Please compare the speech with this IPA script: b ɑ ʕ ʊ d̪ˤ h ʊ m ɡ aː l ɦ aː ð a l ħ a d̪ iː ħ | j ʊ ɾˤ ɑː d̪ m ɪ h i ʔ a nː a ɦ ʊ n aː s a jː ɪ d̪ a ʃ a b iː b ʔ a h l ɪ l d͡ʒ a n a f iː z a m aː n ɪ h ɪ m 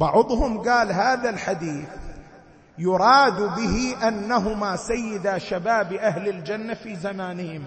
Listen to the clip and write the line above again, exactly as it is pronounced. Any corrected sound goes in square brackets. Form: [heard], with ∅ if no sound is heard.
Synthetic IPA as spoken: b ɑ ʕ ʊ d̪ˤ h ʊ m ɡ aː l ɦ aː ð a l ħ a d̪ iː [θ] | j ʊ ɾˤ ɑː d̪ [b] ɪ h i ʔ a nː a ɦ ʊ [m] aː s a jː ɪ d̪ a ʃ a b [aː] b ʔ a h l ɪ l d͡ʒ a [nː] a f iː z a m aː n ɪ h ɪ m